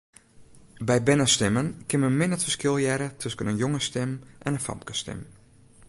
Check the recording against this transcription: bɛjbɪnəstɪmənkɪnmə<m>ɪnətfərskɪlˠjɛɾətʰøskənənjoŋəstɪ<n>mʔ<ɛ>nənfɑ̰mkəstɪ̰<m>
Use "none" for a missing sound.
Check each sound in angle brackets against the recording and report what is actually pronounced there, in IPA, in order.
m, none, ɛ, m

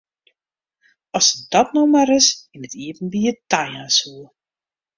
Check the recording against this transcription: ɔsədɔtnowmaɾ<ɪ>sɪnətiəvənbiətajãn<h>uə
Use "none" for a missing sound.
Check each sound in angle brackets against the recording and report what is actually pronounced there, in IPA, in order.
ɪ, s

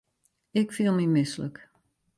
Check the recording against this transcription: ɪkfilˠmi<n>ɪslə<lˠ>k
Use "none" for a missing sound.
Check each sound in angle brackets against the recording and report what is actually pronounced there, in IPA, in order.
m, none

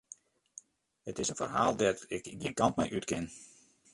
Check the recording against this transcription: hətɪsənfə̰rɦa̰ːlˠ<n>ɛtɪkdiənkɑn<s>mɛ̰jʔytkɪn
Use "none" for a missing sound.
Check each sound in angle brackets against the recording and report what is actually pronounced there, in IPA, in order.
d, t

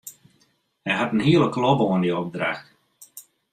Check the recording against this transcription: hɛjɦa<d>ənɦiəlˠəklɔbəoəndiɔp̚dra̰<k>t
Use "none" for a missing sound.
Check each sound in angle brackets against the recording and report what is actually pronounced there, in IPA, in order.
t, x

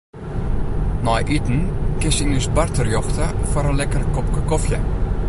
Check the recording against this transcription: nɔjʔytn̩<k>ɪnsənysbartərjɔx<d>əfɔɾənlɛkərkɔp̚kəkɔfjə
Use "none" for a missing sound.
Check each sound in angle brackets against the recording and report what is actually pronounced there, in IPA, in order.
k, t

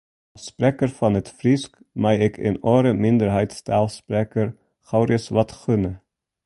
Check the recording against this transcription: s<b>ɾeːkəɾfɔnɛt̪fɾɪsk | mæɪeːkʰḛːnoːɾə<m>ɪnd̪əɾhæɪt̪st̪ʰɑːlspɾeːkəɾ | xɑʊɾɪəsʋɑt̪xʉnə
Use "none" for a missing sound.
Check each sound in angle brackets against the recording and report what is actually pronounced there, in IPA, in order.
p, m

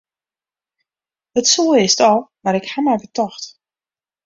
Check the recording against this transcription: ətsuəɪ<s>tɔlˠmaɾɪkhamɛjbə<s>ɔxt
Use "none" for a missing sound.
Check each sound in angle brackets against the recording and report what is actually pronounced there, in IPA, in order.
s, t

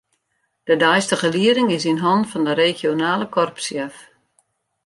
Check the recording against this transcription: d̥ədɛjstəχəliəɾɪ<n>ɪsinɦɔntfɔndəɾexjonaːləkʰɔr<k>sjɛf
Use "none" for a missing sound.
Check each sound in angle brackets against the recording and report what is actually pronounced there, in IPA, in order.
ŋ, p

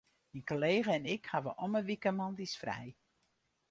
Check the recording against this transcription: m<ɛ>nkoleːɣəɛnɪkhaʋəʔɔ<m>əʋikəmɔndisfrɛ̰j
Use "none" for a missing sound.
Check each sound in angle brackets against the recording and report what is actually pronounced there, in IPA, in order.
i, m

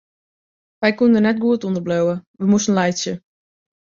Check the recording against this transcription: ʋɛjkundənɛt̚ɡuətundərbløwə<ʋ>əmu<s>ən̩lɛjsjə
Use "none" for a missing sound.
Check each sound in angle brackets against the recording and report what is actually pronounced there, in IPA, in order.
ʋ, s

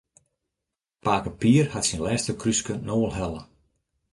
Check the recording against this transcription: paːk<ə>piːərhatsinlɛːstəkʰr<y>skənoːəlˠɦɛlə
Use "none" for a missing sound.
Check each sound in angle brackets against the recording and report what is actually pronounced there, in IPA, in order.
ə, y

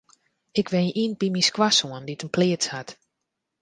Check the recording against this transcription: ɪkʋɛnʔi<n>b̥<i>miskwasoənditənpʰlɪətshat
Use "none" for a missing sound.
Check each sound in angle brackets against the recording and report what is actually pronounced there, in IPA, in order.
n, i

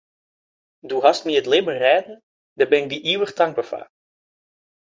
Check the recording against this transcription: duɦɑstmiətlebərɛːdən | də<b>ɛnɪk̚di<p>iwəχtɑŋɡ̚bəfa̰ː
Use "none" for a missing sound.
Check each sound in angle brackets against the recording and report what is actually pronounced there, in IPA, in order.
b, ʔ

